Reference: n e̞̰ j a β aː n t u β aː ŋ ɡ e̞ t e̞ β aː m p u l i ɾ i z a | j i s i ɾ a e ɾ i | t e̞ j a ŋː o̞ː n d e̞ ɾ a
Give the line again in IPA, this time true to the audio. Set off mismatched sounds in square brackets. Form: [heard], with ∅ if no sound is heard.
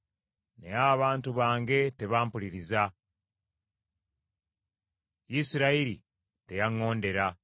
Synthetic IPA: n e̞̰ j a β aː n t u β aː ŋ ɡ e̞ t e̞ β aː m p u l i ɾ i z a | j i s i ɾ a [i] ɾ i | t e̞ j a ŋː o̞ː n d e̞ ɾ a